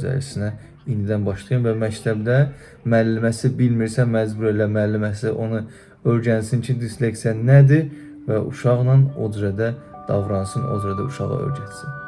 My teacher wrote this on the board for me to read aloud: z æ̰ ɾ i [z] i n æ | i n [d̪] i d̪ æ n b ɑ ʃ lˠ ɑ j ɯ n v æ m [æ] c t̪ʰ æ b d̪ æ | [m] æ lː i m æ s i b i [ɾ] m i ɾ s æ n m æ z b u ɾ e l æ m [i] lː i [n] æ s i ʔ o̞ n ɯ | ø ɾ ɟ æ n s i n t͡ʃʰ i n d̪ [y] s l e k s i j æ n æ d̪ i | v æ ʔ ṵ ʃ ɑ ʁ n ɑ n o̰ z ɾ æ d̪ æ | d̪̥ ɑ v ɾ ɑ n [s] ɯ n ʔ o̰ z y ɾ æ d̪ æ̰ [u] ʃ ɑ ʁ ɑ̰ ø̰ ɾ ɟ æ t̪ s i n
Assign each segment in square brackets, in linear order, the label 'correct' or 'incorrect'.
incorrect: s, correct, correct, correct, incorrect: l, incorrect: æ, incorrect: m, incorrect: i, correct, correct

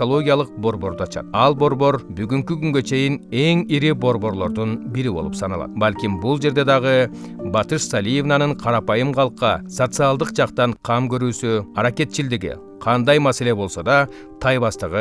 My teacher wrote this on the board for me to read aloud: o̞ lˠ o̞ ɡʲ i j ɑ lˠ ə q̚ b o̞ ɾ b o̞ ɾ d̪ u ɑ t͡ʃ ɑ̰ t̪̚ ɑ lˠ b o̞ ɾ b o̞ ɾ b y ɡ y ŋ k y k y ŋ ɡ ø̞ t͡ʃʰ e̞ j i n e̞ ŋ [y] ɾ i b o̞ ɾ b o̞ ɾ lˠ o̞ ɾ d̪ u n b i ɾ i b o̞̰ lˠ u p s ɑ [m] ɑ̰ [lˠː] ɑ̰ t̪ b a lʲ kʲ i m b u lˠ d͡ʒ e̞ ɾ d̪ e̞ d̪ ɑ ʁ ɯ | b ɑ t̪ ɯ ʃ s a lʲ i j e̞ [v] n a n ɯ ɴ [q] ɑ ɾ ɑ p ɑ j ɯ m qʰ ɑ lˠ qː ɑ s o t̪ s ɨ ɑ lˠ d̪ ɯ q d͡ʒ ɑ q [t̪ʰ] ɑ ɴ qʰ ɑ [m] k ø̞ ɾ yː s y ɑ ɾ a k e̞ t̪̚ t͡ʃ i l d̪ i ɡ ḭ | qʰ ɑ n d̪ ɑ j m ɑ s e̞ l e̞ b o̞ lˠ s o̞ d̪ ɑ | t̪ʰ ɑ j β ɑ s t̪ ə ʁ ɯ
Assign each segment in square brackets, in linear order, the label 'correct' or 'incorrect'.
incorrect: i, incorrect: n, incorrect: lˠ, correct, incorrect: qʰ, incorrect: t̪, correct

